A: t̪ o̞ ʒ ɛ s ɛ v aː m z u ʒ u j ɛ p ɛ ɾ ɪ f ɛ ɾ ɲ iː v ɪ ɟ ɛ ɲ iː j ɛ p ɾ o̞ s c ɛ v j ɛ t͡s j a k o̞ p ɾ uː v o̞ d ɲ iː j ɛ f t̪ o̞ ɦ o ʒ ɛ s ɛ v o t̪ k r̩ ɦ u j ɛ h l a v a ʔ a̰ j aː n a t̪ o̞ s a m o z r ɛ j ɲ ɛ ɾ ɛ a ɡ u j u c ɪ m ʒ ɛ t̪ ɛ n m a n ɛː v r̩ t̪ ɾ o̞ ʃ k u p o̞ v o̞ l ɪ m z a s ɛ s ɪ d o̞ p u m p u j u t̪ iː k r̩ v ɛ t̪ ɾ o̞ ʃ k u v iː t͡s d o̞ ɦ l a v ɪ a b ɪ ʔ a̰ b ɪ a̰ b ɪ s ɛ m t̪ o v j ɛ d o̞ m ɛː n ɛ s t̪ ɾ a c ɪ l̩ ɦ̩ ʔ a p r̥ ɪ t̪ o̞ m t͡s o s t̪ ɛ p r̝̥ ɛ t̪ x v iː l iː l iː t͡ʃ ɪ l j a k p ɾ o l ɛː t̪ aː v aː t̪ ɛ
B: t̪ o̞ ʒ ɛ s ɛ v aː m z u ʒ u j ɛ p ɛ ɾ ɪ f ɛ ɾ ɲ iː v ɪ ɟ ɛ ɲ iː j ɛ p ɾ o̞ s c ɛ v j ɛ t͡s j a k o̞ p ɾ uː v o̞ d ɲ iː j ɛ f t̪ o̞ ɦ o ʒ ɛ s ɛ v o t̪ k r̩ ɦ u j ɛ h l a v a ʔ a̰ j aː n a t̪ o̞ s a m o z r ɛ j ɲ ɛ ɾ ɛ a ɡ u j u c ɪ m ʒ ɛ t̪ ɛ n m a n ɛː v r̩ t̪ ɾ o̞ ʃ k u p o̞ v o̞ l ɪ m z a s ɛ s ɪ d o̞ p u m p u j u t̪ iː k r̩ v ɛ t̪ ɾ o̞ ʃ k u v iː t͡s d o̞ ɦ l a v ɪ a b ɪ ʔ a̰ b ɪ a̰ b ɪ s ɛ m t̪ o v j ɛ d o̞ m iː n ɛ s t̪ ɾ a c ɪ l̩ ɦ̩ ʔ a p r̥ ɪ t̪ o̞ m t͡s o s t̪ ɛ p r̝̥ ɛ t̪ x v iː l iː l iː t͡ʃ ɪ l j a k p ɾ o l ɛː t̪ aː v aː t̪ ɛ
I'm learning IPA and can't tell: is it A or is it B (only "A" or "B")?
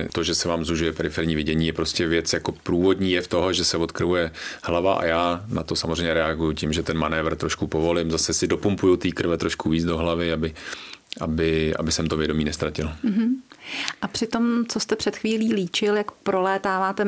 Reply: B